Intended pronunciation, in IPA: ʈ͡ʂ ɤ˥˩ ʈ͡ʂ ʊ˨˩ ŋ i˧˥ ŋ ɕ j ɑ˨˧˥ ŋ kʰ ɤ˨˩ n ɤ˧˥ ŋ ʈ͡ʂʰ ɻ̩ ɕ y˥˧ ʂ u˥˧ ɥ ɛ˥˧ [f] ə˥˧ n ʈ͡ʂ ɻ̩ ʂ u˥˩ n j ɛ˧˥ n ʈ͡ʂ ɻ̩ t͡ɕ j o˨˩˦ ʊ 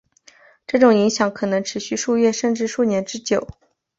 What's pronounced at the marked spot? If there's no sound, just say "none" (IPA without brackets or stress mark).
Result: ʂ